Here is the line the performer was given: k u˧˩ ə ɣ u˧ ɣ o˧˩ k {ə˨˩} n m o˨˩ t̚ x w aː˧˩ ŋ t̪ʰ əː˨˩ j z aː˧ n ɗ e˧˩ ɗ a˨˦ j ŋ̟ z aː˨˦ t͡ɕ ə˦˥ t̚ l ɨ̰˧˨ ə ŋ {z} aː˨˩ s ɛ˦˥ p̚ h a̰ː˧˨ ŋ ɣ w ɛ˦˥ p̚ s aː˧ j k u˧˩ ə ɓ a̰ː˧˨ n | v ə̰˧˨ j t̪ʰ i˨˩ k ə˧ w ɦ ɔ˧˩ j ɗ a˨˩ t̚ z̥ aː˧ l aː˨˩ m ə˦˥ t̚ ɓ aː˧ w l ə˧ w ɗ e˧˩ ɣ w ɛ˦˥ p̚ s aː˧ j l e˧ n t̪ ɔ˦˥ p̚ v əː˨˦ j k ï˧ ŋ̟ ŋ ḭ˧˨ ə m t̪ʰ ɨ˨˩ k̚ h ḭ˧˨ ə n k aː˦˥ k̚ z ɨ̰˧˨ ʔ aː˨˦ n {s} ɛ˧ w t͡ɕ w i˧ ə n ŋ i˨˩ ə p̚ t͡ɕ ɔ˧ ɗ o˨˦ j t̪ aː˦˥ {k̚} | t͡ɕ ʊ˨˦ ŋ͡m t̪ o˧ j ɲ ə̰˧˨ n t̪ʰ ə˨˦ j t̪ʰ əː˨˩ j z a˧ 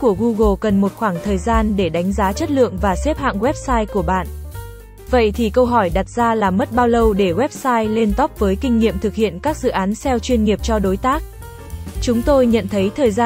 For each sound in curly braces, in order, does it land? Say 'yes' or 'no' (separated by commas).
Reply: yes, no, yes, yes